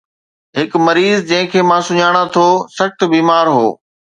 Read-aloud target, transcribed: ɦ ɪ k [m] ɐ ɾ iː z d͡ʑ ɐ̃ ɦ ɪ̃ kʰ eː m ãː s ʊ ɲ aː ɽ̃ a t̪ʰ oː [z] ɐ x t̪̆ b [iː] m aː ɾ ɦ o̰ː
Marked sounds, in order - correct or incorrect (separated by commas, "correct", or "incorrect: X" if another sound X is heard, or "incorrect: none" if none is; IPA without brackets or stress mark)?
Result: correct, incorrect: s, correct